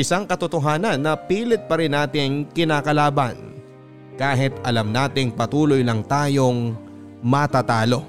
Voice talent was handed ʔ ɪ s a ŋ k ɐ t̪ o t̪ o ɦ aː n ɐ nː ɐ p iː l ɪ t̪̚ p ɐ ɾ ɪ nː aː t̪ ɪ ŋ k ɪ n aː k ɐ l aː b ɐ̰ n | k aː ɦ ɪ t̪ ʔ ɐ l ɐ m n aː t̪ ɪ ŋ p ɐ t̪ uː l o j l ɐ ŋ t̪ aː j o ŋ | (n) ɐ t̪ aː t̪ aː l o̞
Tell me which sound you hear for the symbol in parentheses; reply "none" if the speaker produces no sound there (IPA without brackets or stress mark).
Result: m